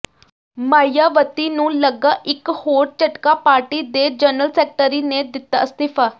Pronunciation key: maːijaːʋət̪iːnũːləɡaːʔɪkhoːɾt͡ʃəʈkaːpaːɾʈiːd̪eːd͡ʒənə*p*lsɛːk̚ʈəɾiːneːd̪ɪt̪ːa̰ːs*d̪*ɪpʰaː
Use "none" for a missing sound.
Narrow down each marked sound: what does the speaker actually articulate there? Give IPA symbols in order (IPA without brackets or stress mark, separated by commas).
none, t̪